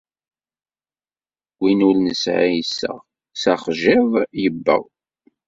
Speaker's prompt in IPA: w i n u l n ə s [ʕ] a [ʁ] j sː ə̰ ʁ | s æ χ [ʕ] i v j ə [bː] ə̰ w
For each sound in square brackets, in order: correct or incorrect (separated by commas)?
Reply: correct, incorrect, incorrect, correct